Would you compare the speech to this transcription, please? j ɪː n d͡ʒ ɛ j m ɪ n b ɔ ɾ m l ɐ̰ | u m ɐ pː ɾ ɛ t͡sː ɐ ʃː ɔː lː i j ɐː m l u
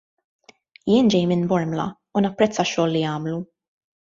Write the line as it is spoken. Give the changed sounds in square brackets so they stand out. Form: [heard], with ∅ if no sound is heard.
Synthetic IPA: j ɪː n d͡ʒ ɛ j m ɪ n b ɔ ɾ m l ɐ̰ | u [n] ɐ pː ɾ ɛ t͡sː ɐ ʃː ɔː lː i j ɐː m l u